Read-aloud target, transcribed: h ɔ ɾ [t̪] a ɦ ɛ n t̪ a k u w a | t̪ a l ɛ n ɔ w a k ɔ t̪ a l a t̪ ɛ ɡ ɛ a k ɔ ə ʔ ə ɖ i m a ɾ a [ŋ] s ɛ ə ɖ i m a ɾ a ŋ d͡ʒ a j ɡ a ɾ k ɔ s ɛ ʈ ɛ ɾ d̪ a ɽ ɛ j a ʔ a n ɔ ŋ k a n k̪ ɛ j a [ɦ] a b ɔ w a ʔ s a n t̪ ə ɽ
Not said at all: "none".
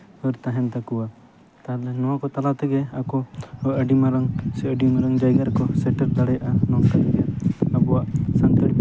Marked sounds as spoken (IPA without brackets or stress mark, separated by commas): t̪, ŋ, none